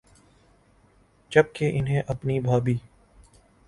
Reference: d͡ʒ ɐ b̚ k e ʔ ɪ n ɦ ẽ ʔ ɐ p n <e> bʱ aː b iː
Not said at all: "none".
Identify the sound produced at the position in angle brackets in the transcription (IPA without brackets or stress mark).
i